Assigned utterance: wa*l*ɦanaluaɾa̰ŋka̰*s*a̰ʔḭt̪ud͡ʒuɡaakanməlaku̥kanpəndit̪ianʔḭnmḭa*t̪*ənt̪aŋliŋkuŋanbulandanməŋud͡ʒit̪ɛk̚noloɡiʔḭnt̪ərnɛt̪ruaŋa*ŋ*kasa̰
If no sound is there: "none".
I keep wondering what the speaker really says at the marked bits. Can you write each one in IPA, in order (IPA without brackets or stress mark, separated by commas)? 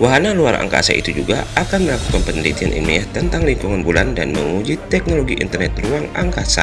none, s, t̪, ŋ